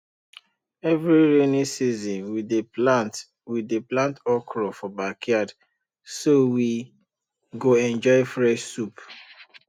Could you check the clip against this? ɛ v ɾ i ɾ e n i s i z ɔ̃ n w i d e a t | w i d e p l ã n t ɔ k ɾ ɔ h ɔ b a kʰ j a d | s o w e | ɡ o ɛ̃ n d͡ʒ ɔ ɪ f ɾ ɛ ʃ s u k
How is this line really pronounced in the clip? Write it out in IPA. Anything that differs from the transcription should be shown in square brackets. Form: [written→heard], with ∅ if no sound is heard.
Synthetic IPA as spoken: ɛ v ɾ i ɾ e n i s i z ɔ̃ n w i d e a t | w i d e p l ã n t ɔ k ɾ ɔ [h→f] ɔ b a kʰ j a d | s o w [e→i] | ɡ o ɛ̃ n d͡ʒ ɔ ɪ f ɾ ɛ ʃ s u [k→p]